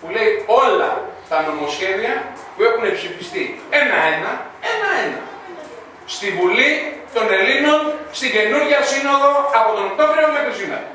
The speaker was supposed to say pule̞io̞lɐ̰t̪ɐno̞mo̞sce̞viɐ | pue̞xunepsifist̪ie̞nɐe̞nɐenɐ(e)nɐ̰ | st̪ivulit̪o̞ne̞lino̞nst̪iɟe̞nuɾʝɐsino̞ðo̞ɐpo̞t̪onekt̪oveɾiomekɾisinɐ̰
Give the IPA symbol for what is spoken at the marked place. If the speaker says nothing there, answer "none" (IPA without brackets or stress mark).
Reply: e